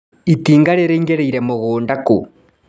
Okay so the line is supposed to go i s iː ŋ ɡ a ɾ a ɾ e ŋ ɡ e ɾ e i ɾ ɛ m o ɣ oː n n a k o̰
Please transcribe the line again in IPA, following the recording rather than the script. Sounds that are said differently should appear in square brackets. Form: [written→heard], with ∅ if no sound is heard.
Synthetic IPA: i [s→t] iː ŋ ɡ a ɾ [a→e] ɾ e ŋ ɡ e ɾ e i ɾ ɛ m o ɣ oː n [n→d] a k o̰